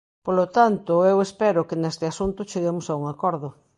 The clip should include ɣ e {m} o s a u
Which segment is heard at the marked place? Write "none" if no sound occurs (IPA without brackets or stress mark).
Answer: m